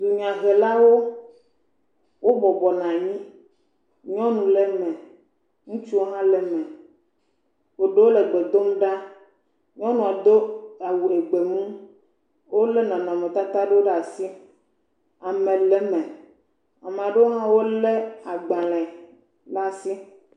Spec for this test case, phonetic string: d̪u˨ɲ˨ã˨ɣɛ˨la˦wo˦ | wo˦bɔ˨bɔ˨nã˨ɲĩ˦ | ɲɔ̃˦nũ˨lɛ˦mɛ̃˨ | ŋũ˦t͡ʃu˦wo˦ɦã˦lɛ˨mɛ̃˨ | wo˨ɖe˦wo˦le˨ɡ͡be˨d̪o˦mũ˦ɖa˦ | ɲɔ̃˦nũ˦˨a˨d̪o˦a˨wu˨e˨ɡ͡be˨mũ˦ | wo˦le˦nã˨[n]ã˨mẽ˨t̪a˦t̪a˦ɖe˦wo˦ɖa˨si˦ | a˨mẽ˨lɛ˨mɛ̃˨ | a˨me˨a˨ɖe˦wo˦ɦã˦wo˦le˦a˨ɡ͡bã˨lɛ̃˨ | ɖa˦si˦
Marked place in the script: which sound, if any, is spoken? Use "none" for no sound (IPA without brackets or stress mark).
n